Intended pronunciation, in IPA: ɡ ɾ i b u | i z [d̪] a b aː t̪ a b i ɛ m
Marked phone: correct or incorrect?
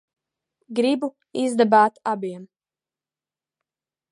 correct